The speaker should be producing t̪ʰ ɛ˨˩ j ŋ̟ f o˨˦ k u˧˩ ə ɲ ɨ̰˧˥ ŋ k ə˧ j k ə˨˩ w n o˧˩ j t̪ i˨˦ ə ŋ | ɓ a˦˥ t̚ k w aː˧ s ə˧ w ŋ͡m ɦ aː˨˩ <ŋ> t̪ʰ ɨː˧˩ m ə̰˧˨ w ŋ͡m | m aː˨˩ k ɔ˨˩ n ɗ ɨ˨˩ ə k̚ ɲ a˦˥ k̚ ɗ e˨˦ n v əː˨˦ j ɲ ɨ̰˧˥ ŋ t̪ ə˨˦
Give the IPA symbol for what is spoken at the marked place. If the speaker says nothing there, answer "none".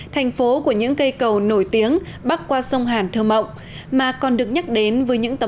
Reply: n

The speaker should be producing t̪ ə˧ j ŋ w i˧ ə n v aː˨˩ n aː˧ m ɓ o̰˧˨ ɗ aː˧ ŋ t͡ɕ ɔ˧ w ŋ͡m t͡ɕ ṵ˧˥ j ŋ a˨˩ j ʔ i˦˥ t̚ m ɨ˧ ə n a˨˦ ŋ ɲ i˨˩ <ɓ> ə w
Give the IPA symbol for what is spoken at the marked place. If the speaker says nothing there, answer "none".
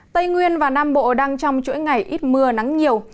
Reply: none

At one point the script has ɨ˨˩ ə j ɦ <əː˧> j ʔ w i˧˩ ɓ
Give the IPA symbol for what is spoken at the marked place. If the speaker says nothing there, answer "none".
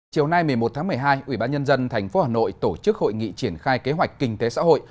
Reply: aː˧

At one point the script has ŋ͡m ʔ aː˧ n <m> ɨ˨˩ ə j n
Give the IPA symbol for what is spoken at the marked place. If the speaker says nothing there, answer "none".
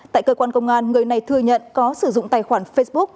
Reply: ŋ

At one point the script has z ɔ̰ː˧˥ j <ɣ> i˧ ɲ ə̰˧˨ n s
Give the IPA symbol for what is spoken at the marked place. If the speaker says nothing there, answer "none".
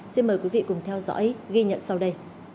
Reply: ɣ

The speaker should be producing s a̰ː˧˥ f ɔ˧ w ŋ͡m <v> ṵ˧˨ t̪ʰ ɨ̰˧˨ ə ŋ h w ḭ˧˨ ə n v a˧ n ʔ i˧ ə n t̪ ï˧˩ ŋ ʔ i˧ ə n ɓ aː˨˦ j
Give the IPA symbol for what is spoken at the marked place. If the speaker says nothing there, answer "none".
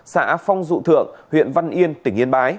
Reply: z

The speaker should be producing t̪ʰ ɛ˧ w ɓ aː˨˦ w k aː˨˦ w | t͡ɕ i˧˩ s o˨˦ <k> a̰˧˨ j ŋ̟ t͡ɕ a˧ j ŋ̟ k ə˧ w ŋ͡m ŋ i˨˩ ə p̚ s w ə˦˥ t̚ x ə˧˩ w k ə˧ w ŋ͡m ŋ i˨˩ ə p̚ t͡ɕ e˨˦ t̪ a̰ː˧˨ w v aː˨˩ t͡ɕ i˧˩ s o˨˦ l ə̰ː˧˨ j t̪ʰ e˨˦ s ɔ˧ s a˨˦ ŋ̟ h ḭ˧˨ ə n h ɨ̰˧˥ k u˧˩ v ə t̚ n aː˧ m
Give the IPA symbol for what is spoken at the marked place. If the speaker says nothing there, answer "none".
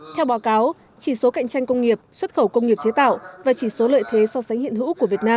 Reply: k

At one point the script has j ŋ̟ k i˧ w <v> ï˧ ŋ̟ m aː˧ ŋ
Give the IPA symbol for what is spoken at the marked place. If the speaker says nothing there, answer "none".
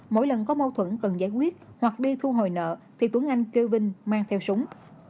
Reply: v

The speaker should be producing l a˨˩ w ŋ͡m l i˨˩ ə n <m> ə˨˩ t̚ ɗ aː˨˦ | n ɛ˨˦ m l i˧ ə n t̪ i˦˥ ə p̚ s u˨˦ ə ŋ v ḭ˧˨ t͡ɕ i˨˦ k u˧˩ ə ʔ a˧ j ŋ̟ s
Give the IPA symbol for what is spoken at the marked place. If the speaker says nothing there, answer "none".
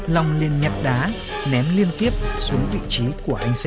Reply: ɲ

